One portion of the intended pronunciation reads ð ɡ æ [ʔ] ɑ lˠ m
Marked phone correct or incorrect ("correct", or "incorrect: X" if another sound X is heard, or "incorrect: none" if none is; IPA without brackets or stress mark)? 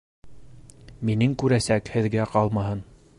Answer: incorrect: q